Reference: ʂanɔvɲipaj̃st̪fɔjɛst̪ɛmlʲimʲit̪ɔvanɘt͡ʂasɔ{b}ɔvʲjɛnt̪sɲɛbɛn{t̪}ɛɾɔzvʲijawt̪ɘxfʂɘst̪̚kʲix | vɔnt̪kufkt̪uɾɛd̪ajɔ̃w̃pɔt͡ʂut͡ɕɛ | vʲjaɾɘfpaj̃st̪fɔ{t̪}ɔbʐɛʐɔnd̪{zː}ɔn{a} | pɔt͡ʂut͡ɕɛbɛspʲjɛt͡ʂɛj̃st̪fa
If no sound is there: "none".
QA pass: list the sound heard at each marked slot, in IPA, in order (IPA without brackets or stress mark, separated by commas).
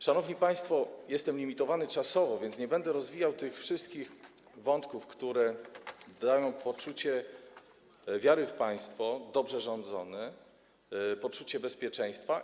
v, d̪, d̪, z, ɛ